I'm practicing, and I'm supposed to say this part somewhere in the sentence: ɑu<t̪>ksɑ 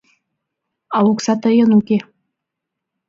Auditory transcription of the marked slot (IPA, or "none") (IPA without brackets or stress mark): none